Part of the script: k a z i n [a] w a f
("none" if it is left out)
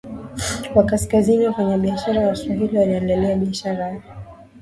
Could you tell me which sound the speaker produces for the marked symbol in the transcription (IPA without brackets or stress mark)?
i